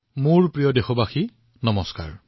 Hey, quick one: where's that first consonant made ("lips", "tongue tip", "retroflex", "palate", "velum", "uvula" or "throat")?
lips